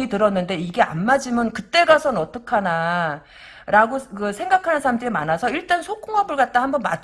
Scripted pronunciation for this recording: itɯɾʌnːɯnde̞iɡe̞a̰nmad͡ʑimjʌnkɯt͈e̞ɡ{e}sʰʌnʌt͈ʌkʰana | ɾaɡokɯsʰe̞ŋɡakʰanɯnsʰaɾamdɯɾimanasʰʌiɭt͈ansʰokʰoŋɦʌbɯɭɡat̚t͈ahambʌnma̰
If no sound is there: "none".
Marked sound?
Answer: a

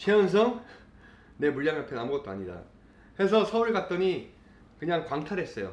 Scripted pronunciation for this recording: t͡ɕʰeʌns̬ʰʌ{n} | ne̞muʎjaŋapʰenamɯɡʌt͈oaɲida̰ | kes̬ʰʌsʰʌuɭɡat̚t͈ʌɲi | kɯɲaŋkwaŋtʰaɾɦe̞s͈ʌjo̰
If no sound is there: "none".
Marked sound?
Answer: ŋ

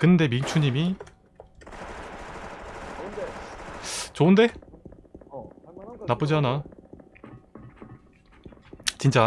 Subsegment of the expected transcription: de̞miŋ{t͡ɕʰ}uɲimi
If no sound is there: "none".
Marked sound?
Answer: t͡ɕʰ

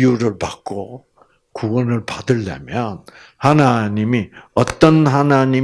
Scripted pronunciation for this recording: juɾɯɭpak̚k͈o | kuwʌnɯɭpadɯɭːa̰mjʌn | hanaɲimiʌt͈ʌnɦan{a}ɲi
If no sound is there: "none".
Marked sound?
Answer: a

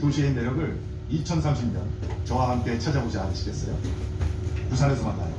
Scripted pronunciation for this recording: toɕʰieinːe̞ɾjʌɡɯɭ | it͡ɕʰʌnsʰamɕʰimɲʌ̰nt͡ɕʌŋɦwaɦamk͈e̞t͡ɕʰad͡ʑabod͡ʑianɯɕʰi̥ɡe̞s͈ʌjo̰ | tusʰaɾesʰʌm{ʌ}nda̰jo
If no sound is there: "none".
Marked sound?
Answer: a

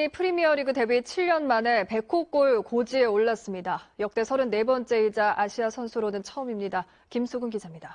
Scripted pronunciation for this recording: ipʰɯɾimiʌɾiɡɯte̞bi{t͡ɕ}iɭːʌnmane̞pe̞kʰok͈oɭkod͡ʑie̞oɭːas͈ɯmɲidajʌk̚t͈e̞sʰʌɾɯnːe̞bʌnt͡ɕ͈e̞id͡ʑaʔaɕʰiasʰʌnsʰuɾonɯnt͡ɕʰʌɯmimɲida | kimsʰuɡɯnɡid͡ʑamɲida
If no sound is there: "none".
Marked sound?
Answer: t͡ɕʰ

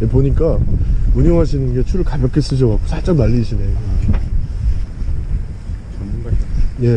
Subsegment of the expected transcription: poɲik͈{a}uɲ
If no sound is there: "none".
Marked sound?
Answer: a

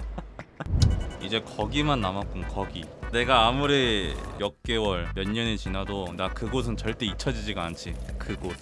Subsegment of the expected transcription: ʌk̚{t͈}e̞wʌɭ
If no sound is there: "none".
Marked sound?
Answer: k͈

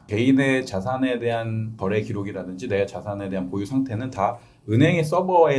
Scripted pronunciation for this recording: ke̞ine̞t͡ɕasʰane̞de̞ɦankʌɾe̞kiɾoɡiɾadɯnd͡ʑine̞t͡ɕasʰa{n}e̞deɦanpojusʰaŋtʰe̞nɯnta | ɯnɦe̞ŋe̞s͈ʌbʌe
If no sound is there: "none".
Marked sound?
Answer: n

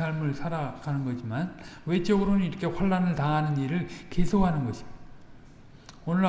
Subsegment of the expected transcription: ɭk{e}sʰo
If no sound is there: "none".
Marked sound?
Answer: e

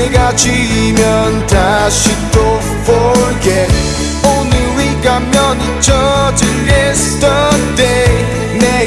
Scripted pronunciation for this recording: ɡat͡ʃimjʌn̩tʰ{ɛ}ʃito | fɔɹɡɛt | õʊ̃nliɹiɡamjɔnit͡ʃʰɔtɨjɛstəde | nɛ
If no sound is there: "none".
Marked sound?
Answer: a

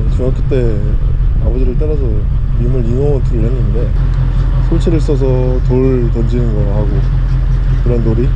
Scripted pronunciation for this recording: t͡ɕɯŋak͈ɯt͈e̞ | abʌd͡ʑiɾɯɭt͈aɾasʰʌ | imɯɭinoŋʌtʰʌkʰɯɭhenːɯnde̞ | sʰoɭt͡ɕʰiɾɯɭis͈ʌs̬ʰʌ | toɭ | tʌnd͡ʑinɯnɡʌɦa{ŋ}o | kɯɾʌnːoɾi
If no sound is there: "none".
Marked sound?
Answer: ɡ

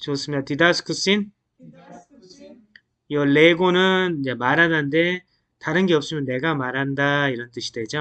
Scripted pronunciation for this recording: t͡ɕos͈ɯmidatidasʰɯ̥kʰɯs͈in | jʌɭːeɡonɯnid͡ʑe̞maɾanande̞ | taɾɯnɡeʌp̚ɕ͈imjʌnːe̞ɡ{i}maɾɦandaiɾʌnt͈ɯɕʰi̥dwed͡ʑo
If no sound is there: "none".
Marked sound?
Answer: a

